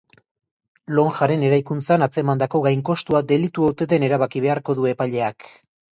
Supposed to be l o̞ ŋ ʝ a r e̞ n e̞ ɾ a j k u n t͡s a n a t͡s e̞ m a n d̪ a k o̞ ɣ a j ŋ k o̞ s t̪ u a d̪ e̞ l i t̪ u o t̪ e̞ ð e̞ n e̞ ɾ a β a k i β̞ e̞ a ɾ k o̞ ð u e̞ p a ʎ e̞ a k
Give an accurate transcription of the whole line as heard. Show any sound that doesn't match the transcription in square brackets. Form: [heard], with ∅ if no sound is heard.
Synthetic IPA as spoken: l o̞ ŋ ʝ a [ɾ] e̞ n e̞ ɾ a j k u n t͡s a n a t͡s e̞ m a n d̪ a k o̞ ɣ a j ŋ k o̞ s t̪ u a d̪ e̞ l i t̪ u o t̪ e̞ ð e̞ n e̞ ɾ a β a k i β̞ e̞ a ɾ k o̞ ð u e̞ p a ʎ e̞ a k